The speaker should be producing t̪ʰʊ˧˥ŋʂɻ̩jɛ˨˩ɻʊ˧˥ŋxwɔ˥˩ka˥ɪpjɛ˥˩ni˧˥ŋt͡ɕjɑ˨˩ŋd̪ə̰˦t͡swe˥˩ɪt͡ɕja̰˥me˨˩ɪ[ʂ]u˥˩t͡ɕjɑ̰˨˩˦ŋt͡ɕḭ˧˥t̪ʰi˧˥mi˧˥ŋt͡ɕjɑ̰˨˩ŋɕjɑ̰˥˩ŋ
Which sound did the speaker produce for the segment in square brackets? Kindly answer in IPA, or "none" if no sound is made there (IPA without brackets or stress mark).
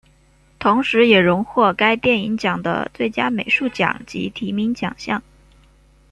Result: ʂ